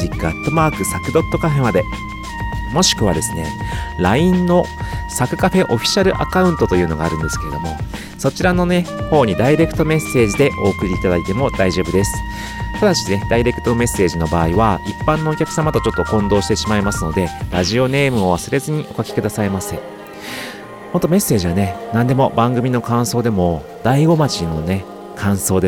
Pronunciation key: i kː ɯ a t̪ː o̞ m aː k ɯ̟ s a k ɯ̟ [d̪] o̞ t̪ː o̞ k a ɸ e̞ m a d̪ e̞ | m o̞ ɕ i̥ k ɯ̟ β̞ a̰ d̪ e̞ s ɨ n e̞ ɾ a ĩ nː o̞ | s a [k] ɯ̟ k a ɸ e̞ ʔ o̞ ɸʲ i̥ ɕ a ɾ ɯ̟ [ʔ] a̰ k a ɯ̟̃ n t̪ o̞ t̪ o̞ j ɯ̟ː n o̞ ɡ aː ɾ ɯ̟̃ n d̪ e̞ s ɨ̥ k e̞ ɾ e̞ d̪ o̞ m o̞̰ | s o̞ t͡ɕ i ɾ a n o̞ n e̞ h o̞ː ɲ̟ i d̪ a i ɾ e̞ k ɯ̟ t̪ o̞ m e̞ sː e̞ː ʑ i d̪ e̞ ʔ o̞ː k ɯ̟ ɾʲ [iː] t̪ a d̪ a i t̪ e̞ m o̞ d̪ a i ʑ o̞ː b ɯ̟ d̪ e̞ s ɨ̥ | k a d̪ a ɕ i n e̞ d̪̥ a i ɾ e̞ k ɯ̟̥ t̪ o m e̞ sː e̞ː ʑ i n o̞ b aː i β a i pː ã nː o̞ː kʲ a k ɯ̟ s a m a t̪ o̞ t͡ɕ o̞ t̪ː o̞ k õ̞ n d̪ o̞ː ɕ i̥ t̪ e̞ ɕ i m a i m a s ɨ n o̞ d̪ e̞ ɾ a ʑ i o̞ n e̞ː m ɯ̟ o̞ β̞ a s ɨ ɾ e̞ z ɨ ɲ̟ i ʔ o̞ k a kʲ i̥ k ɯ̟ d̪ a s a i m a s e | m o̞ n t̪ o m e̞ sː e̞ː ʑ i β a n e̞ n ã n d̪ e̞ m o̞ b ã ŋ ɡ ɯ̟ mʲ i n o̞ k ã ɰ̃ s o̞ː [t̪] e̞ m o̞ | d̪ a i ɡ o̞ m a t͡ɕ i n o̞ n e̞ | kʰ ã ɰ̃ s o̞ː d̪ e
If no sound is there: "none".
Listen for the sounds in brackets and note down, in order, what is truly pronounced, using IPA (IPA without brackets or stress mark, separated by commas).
d̪, k, ʔ, iː, d̪